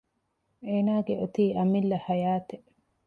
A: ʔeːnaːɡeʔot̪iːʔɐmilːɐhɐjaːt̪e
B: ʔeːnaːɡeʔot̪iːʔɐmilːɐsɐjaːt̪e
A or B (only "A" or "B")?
A